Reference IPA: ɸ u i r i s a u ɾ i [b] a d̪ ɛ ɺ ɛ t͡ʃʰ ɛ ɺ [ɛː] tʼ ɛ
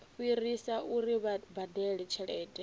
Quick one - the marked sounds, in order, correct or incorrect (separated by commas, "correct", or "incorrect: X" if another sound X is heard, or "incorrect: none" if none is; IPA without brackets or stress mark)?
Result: correct, correct